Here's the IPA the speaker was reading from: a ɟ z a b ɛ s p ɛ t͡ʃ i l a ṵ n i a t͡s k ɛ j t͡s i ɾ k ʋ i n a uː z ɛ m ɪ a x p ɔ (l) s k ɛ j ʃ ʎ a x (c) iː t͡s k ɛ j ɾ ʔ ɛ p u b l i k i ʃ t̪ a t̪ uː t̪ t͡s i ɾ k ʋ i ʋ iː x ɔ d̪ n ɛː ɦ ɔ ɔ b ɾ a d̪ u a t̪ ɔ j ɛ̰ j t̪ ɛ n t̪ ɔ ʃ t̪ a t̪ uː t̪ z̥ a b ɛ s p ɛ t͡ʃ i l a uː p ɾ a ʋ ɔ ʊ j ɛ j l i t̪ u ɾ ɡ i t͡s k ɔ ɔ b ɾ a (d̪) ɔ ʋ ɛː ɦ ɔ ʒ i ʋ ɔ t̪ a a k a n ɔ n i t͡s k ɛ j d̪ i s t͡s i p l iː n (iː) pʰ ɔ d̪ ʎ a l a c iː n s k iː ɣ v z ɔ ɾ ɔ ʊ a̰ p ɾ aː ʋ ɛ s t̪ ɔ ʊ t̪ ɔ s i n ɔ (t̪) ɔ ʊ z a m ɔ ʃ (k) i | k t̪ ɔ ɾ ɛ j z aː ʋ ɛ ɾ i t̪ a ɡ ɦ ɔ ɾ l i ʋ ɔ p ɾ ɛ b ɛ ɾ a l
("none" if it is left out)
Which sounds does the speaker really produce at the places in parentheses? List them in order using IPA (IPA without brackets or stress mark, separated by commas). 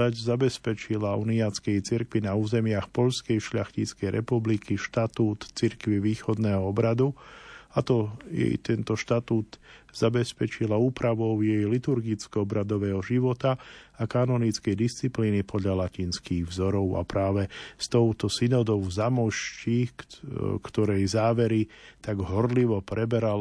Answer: ʎ, c, d̪, i, d̪, c